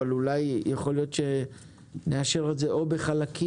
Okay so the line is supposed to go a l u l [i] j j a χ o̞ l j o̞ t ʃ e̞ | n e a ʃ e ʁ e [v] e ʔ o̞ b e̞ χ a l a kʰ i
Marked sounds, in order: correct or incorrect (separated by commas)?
incorrect, incorrect